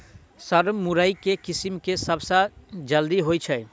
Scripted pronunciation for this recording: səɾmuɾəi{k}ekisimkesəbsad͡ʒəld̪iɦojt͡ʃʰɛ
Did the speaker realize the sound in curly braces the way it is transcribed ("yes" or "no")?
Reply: yes